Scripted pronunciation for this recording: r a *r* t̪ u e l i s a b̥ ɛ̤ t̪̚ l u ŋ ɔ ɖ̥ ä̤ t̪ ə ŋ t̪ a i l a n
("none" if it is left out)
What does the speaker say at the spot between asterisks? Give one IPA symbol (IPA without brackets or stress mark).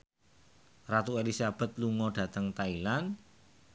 none